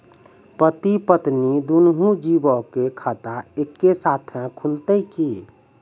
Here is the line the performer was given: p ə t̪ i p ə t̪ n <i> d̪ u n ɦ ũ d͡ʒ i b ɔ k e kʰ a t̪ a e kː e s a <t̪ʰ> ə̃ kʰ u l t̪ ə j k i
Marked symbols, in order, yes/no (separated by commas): yes, yes